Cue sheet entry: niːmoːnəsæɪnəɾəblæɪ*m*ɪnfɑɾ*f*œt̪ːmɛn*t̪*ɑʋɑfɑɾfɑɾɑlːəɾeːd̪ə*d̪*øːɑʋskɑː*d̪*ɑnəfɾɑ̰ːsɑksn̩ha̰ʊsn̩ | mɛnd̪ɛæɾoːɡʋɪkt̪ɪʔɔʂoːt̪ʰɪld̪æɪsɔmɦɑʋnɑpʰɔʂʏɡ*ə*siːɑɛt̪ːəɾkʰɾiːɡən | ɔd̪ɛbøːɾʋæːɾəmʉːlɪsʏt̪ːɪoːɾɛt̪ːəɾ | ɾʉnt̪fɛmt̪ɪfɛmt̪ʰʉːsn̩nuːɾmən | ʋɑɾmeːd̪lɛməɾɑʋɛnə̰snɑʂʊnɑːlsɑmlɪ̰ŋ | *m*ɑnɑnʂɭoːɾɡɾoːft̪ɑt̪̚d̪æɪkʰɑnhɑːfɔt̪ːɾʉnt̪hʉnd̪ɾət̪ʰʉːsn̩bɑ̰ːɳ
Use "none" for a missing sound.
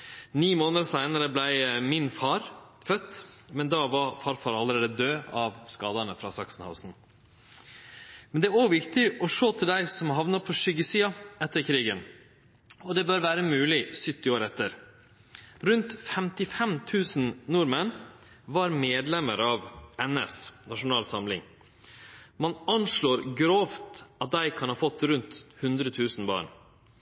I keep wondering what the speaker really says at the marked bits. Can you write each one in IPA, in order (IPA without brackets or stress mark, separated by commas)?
m, f, d̪, d̪, d̪, ə, m